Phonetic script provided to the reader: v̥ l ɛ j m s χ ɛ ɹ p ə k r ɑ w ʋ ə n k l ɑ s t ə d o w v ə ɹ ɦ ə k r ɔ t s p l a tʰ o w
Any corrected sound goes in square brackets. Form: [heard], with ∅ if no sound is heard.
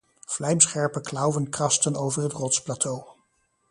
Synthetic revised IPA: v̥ l ɛ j m s χ ɛ ɹ p ə k [l] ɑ w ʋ ə n k [r] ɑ s t ə [n] o w v ə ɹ ɦ ə [t] r ɔ t s p l a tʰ o w